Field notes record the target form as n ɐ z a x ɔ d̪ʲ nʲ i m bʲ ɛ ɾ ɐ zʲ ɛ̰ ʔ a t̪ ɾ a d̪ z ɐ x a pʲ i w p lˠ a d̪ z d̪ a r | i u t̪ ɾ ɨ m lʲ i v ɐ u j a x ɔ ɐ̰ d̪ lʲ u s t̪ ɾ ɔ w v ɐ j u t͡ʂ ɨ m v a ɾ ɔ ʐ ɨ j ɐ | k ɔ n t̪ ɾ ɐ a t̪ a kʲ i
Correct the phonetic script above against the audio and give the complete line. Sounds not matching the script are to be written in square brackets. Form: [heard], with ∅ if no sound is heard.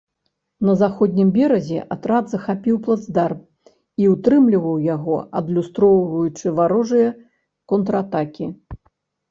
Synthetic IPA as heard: n ɐ z a x ɔ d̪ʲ nʲ i m bʲ ɛ ɾ ɐ zʲ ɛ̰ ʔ a t̪ ɾ a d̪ z ɐ x a pʲ i w p lˠ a d̪ z d̪ a r | i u t̪ ɾ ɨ m lʲ i v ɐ [w] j a [ɣ] ɔ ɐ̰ d̪ lʲ u s t̪ ɾ ɔ w v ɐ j u t͡ʂ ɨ [∅] v a ɾ ɔ ʐ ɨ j ɐ | k ɔ n t̪ ɾ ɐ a t̪ a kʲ i